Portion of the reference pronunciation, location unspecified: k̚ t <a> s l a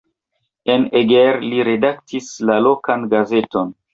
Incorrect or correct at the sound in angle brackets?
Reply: incorrect: i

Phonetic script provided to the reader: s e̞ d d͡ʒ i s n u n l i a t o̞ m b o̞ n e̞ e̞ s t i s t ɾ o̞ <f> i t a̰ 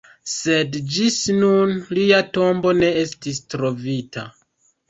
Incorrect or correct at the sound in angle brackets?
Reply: incorrect: v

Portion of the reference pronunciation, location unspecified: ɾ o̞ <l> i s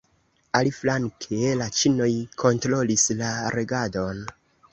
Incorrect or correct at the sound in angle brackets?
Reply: correct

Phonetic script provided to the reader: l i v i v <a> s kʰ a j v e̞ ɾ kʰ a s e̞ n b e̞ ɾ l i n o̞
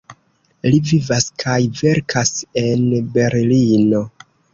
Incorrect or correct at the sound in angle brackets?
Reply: correct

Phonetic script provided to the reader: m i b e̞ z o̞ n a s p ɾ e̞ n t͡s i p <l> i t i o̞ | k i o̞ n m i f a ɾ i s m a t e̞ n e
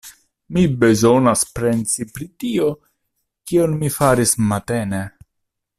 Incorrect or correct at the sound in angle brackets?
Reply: incorrect: ɾ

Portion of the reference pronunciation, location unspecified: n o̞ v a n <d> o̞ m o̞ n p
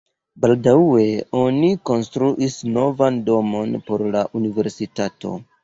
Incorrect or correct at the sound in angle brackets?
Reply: correct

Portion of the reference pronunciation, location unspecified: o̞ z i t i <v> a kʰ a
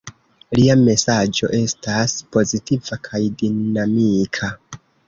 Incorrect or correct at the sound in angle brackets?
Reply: correct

